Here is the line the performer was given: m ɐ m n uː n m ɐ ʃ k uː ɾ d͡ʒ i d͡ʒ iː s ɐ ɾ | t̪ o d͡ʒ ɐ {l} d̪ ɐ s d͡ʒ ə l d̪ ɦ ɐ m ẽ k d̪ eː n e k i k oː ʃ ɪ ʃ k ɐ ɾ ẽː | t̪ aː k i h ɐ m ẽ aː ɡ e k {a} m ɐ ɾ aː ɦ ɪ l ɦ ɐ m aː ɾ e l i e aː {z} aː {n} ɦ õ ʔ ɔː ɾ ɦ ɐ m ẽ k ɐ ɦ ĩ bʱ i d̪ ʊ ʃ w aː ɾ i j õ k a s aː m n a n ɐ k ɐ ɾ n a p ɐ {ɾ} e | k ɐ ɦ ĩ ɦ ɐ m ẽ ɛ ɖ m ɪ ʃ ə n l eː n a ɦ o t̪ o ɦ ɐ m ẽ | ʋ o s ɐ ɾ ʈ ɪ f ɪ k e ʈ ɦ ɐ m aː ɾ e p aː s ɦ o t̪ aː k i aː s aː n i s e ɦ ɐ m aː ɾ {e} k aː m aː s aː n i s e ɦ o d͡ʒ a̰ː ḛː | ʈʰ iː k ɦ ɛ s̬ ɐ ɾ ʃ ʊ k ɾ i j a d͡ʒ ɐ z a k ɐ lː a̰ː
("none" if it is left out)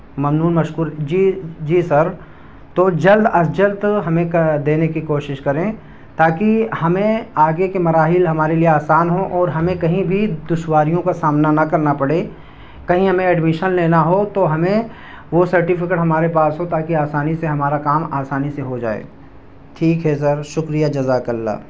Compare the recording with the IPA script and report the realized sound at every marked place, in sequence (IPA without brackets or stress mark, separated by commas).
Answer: l, e, s, n, ɽ, a